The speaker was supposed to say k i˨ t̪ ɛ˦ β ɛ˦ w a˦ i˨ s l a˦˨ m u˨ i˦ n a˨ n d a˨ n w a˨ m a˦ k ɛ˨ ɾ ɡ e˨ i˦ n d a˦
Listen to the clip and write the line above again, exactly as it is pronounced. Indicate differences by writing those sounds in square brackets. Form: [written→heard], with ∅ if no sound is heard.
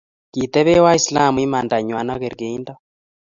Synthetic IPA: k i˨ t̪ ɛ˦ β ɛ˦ w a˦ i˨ s l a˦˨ m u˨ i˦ [n→m] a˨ n d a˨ [n→ɲ] w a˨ [m→n] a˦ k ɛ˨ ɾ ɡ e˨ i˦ n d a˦